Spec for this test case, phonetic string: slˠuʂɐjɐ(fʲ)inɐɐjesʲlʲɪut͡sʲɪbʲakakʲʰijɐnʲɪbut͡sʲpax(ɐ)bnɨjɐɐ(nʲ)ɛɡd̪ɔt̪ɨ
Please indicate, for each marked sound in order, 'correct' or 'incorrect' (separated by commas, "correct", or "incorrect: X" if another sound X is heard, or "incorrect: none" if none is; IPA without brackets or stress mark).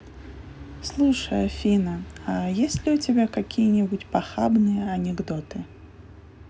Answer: correct, incorrect: a, correct